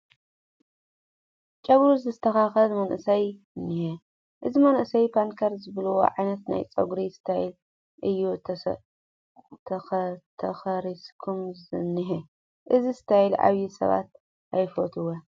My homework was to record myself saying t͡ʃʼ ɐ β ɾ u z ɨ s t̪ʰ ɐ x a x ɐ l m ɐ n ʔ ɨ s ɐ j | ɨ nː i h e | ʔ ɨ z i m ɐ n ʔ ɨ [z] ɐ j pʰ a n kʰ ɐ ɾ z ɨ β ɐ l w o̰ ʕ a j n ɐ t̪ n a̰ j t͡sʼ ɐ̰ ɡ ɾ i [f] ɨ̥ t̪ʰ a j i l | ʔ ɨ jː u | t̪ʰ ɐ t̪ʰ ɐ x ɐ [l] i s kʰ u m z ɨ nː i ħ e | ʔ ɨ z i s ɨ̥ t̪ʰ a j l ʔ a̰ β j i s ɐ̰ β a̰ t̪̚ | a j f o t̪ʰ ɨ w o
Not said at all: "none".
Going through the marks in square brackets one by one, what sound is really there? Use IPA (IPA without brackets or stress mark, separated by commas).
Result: s, s, ɾ